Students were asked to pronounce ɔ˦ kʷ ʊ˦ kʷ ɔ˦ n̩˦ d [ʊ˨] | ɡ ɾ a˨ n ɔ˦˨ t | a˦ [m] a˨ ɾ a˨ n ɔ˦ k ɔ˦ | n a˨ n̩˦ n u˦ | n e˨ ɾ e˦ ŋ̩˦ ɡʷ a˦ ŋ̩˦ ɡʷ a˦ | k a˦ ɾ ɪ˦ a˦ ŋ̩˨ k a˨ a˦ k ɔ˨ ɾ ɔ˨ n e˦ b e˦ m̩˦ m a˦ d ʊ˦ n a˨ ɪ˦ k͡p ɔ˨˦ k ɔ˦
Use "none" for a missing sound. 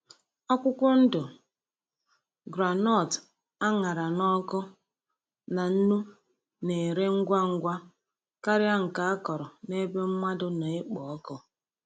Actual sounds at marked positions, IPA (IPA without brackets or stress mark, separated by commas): ʊ˨, ŋ